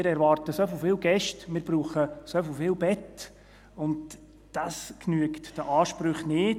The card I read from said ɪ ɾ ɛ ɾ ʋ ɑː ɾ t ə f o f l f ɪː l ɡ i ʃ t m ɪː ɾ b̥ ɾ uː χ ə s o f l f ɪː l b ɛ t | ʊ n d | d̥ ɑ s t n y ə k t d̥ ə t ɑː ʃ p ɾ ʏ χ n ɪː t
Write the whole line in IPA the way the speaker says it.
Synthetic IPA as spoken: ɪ ɾ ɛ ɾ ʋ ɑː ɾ t ə s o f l f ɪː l ɡ ɛ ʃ t m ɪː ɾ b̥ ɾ uː χ ə s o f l f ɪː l b ɛ t | ʊ n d | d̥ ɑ s k n y ə k t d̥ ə ʔ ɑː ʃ p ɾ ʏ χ n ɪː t